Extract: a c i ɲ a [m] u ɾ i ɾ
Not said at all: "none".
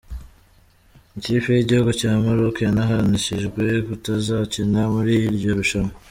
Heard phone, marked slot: m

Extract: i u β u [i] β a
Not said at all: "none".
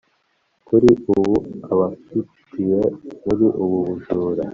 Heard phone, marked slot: a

